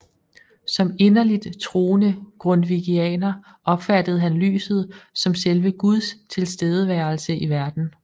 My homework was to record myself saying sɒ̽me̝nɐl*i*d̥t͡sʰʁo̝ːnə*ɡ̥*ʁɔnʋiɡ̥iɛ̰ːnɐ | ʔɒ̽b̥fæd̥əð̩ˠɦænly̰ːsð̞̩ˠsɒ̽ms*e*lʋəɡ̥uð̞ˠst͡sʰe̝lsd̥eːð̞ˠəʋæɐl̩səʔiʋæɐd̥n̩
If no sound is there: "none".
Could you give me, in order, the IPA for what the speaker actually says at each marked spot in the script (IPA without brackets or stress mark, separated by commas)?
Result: i, ɡ̥, e